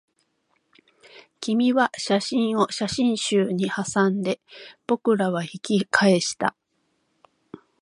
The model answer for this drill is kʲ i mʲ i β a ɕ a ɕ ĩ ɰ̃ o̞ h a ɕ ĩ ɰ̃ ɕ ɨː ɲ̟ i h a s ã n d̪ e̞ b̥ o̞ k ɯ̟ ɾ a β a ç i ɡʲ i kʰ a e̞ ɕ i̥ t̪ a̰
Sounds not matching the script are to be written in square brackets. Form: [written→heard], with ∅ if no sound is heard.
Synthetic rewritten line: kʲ i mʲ i β a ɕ a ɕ ĩ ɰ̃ o̞ [h→ɕ] a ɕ ĩ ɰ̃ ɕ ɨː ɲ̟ i h a s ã n d̪ e̞ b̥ o̞ k ɯ̟ ɾ a β a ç i [ɡʲ→kʲ] i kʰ a e̞ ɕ i̥ t̪ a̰